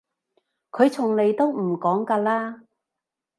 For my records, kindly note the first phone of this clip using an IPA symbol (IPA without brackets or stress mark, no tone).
kʰ